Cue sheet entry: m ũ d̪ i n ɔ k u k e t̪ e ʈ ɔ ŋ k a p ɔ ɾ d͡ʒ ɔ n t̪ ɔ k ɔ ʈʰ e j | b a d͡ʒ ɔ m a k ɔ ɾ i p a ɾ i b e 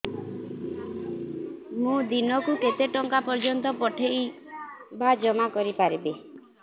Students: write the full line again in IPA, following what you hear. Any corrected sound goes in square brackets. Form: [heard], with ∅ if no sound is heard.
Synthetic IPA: m ũ d̪ i n ɔ k u k e t̪ e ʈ ɔ ŋ k a p ɔ ɾ d͡ʒ ɔ n t̪ ɔ [p] ɔ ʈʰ e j | b a d͡ʒ ɔ m a k ɔ ɾ i p a ɾ i b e